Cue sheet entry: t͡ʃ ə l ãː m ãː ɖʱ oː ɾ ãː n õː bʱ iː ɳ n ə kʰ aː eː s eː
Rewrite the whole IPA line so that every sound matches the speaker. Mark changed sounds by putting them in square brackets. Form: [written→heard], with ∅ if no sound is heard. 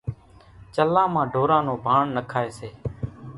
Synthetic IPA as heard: t͡ʃ ə l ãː m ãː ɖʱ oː ɾ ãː n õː bʱ [iː→aː] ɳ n ə kʰ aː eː s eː